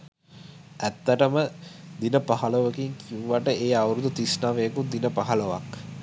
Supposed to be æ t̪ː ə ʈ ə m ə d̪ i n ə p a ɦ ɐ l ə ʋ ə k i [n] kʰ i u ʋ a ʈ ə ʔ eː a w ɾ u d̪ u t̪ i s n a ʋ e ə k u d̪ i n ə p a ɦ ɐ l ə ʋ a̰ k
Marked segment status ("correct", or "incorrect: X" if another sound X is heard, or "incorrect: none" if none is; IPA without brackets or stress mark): incorrect: ŋ